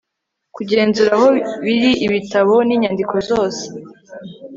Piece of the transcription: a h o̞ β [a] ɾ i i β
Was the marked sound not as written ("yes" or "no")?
yes